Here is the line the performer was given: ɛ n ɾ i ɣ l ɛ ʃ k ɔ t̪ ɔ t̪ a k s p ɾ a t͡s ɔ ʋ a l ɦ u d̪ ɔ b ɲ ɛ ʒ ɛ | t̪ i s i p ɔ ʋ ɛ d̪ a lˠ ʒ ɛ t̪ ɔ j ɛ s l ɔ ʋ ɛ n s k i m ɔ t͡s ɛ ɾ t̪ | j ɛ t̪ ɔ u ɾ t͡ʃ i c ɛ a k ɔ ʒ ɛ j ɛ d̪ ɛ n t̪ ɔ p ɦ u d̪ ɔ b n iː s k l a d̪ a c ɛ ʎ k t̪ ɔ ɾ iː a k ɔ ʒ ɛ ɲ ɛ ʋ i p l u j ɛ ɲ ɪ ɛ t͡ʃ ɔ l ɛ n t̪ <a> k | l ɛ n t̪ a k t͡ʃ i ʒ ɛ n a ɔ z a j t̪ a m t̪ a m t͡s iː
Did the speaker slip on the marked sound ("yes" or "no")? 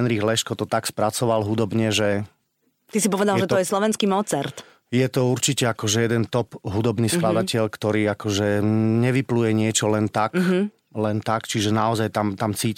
no